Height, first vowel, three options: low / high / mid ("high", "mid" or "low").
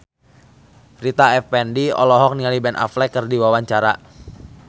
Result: high